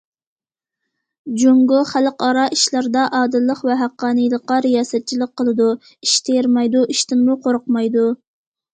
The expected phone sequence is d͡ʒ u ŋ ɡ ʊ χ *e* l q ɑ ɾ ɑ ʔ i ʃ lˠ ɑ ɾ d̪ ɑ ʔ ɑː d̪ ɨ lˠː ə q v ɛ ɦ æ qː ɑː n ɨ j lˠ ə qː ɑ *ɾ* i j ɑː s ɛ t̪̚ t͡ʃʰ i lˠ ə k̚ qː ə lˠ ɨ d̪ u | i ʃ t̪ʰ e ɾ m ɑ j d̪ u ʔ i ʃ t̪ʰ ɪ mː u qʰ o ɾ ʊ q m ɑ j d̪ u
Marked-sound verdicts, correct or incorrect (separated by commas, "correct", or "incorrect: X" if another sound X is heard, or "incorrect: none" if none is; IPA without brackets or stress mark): incorrect: æ, correct